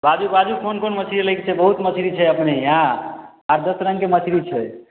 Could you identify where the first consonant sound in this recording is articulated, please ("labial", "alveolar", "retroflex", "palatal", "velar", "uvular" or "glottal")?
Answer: labial